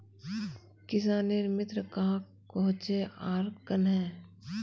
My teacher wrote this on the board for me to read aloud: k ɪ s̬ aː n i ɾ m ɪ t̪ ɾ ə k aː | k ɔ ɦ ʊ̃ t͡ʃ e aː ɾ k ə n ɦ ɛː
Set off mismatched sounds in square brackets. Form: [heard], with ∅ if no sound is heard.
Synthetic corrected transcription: k ɪ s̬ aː n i ɾ m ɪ t̪ ɾ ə k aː | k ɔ ɦ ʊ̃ t͡ʃ e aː ɾ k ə n ɦ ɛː